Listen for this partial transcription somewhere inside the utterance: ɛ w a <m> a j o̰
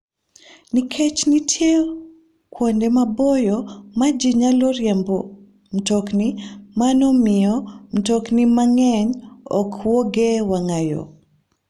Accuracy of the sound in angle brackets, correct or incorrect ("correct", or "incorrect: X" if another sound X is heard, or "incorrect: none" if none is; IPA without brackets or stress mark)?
incorrect: ŋ